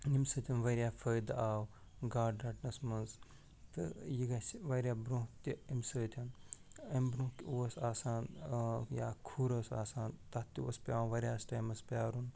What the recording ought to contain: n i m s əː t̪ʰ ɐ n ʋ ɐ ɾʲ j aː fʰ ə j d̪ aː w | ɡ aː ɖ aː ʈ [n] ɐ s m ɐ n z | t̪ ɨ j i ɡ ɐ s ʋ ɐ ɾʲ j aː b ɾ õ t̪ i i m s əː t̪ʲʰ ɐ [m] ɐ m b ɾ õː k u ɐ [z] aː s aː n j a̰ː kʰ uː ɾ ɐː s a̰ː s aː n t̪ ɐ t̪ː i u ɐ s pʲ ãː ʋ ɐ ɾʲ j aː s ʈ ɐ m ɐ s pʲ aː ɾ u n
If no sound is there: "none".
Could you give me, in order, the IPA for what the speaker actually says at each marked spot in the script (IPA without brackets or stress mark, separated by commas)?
n, n, s